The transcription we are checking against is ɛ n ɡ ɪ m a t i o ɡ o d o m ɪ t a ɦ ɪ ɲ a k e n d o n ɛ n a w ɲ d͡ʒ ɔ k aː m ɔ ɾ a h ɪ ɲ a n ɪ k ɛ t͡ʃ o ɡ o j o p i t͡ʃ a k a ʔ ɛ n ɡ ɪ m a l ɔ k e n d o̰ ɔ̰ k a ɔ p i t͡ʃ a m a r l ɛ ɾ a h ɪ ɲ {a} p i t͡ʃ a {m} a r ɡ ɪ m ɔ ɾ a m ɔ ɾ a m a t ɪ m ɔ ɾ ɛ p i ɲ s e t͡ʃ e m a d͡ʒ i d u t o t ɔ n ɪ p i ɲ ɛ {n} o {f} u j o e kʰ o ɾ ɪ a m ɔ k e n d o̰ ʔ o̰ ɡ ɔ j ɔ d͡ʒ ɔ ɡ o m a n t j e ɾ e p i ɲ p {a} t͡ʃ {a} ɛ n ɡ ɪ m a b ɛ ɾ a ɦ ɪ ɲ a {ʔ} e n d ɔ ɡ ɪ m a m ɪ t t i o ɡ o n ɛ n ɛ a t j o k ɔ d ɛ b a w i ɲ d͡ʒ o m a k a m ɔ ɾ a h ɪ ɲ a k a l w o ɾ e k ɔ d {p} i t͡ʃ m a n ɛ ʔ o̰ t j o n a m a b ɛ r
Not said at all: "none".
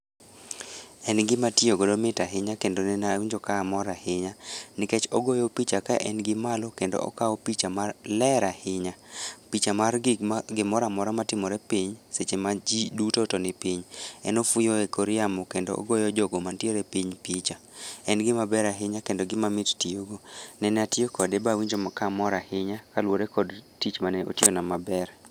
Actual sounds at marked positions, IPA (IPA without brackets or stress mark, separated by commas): a, m, n, f, i, a, k, t